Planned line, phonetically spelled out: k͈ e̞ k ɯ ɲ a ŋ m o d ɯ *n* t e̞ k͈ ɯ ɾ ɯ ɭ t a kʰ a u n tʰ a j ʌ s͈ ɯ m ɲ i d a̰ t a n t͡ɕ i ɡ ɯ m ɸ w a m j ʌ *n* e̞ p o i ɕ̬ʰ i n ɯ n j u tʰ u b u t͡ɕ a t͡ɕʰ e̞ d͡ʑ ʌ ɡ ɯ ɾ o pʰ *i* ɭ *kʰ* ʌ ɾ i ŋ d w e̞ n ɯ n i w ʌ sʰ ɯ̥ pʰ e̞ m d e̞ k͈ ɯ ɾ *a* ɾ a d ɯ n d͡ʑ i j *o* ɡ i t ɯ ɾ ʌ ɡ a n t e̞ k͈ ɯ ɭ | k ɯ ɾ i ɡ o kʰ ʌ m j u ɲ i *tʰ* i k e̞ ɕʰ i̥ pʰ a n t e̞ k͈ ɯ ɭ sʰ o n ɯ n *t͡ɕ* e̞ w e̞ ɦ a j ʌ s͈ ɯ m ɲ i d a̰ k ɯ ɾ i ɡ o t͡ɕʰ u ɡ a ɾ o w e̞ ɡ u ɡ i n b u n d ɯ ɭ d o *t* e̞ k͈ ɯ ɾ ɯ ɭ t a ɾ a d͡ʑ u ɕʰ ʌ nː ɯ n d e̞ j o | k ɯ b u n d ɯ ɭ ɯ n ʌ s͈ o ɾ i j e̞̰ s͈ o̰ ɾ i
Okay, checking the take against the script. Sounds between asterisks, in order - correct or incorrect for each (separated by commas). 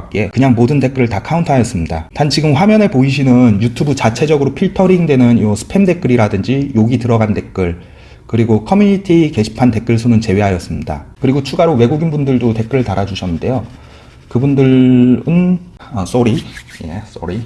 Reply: correct, correct, correct, incorrect, incorrect, correct, correct, correct, correct